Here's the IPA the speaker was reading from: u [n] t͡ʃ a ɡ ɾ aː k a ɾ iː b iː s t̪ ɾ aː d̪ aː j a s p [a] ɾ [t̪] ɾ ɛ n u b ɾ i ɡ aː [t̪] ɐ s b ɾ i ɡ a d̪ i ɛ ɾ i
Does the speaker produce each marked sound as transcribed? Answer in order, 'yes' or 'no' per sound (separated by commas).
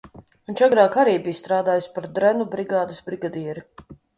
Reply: yes, yes, no, no